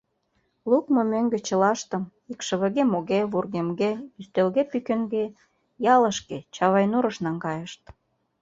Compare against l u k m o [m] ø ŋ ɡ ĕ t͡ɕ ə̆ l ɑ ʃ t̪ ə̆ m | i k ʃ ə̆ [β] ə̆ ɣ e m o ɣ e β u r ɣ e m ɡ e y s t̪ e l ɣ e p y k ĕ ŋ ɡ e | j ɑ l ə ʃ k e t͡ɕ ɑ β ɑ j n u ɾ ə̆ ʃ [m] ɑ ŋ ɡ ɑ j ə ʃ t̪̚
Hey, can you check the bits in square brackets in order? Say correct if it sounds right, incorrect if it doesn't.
correct, correct, incorrect: n

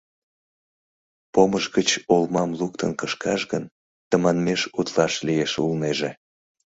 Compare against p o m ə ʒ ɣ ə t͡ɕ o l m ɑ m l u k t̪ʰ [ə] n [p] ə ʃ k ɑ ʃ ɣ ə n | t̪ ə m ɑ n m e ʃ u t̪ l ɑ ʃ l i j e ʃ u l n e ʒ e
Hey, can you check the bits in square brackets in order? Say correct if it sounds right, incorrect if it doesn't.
correct, incorrect: k

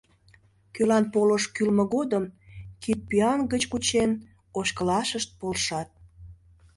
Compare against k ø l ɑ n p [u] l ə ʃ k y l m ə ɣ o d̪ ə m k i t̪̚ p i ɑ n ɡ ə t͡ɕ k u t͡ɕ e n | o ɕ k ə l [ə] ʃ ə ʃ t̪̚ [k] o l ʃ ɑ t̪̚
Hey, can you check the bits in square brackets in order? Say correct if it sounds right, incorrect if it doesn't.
incorrect: o, incorrect: ɑ, incorrect: p

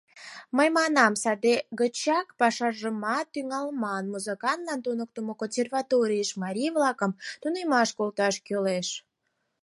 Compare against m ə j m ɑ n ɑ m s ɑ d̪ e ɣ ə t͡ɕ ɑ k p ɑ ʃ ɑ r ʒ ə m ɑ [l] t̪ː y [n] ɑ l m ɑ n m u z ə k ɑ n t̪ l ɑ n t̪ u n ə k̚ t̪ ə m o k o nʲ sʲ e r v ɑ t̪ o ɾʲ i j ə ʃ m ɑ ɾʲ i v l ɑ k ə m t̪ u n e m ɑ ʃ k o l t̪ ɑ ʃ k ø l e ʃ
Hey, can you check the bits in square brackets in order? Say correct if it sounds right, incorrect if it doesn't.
incorrect: none, incorrect: ŋ

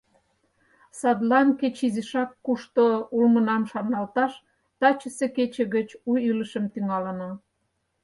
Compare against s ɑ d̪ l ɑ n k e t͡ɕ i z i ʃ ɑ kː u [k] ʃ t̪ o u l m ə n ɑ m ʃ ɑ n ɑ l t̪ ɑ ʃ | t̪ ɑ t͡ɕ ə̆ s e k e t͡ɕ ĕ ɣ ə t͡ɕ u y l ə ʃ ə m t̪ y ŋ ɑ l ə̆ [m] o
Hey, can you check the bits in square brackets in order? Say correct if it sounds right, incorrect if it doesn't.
incorrect: none, incorrect: n

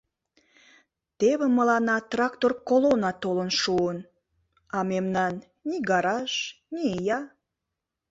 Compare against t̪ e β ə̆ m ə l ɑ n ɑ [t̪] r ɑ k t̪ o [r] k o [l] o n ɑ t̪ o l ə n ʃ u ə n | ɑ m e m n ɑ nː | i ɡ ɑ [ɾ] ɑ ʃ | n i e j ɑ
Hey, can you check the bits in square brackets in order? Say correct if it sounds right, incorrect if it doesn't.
correct, correct, correct, correct

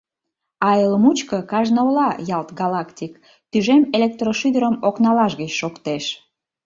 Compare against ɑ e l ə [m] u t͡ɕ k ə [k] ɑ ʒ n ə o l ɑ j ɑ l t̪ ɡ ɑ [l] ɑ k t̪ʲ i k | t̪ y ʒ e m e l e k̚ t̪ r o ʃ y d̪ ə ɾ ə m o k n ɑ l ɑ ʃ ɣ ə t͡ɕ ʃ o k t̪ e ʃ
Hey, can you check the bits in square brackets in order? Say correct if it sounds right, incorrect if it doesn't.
correct, correct, correct

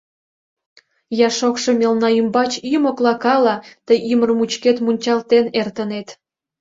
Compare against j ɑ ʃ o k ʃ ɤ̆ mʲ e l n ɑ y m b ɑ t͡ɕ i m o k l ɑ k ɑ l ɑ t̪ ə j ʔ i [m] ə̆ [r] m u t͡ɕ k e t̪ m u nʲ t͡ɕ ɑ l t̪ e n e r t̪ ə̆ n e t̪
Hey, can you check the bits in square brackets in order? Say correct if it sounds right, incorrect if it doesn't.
correct, correct

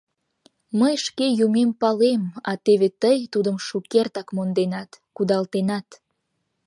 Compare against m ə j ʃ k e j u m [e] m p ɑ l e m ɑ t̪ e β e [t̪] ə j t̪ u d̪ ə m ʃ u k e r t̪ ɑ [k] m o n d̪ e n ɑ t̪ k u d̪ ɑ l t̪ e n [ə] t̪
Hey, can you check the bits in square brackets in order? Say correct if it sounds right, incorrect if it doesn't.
correct, correct, correct, incorrect: ɑ

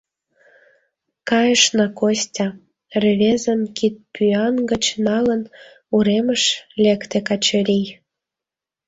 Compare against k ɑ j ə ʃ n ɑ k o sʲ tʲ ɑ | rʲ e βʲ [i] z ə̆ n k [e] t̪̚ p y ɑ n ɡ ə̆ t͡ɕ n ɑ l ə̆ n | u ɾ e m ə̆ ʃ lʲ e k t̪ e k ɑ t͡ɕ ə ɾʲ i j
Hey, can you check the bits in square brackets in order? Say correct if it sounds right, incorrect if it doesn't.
incorrect: e, incorrect: i

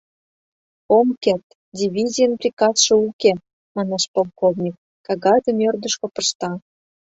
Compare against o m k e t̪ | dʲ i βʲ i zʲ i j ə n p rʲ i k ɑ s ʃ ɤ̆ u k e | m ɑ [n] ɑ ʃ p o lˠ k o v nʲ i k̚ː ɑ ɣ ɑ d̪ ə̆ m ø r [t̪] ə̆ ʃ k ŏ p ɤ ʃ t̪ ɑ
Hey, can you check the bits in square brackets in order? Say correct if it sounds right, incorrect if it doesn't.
correct, incorrect: d̪

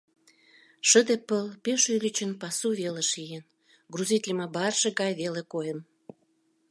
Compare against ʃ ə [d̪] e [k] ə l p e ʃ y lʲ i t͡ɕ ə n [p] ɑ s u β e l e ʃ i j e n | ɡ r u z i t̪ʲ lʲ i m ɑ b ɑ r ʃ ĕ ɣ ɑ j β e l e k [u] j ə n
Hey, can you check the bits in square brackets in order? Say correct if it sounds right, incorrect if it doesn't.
correct, incorrect: p, correct, incorrect: o

